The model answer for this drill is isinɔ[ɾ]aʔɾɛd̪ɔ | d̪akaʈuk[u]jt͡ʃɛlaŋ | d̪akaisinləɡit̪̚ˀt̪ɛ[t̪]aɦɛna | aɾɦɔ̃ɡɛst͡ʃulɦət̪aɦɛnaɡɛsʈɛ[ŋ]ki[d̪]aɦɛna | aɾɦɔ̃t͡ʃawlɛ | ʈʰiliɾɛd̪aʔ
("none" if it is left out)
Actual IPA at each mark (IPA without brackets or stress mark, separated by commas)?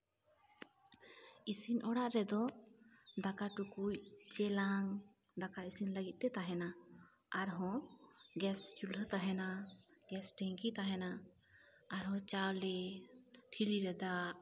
ɽ, u, t̪, ŋ, t̪